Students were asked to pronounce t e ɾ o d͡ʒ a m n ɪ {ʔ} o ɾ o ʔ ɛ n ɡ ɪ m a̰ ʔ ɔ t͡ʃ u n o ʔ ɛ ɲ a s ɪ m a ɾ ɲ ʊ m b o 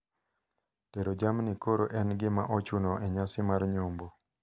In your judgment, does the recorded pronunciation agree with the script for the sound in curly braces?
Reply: no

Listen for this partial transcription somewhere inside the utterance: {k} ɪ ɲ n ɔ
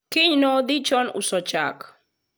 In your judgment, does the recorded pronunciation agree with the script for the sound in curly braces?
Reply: yes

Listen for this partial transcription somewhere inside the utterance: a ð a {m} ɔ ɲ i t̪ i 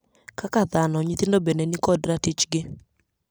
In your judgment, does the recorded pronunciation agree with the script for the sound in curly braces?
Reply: no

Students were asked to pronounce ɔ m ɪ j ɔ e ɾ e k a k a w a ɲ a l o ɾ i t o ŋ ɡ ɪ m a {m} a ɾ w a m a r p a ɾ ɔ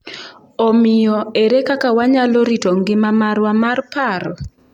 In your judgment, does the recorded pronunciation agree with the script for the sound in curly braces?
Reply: yes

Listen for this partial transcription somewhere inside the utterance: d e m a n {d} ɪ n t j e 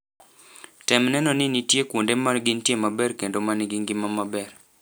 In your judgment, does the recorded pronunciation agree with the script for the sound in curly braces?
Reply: no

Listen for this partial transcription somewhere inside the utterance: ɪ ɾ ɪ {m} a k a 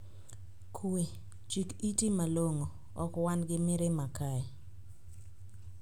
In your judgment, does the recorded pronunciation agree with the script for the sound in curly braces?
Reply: yes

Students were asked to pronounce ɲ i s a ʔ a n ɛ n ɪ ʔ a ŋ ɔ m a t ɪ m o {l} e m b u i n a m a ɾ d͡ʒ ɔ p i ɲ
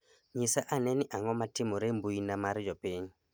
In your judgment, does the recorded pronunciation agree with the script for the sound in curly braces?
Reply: no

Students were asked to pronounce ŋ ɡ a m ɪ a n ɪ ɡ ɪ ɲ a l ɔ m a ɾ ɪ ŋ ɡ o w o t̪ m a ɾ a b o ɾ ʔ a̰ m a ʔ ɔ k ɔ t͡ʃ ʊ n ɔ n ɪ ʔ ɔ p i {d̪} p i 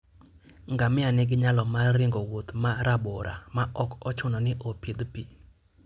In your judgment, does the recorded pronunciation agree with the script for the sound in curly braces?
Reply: yes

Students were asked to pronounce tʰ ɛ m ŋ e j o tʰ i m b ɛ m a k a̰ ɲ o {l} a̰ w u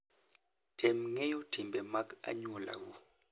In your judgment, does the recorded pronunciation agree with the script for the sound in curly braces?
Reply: yes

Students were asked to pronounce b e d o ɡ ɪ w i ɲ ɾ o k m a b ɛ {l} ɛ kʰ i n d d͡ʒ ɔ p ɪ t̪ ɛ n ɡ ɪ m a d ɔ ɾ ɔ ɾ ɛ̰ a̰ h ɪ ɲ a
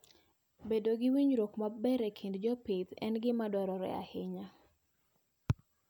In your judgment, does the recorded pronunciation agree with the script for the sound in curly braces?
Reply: no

